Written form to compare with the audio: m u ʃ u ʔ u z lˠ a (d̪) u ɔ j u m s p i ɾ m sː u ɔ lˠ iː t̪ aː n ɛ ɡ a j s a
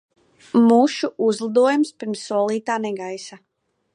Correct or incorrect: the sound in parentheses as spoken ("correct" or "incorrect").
correct